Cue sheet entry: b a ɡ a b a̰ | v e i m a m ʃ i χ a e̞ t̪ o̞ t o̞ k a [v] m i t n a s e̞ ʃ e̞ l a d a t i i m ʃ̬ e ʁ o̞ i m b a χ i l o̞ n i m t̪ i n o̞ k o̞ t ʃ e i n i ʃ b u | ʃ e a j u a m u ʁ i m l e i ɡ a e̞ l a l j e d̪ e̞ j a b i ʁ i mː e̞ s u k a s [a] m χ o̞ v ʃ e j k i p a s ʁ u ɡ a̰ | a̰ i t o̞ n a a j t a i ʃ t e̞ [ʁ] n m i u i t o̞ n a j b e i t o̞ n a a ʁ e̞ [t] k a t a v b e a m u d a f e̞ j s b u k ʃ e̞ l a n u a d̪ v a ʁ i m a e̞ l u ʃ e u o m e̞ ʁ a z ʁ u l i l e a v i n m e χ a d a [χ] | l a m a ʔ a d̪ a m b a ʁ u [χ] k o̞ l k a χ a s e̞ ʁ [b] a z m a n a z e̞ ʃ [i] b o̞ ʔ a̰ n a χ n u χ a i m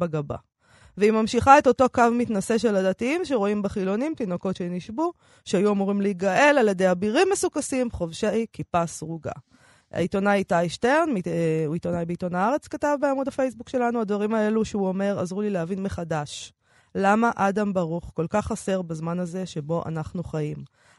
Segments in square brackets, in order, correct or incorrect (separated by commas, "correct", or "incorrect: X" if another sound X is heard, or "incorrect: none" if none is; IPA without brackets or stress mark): correct, incorrect: i, correct, incorrect: t͡s, incorrect: ʃ, correct, correct, incorrect: e